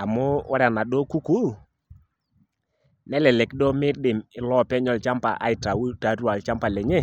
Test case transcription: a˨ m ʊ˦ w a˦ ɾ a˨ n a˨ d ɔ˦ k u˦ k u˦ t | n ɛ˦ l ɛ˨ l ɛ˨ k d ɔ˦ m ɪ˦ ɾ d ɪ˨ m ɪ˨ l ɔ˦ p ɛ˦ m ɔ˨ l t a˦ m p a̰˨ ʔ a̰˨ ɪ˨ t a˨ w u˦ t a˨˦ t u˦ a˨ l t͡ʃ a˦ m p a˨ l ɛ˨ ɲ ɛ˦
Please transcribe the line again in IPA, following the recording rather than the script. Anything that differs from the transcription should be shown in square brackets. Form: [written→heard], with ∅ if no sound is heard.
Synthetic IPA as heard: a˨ m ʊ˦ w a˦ ɾ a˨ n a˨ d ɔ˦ k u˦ k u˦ [t→∅] | n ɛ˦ l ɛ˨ l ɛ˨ k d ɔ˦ m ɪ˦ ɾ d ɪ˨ m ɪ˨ l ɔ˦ p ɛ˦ [m→ɲ] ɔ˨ l [t→t͡ʃ] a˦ m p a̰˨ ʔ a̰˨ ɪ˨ t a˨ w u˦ t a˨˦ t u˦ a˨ l t͡ʃ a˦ m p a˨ l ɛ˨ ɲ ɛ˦